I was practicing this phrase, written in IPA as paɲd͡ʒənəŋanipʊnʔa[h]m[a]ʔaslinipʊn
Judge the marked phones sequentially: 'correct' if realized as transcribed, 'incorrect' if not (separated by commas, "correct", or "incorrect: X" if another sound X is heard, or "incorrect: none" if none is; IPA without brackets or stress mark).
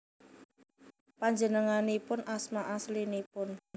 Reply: incorrect: s, correct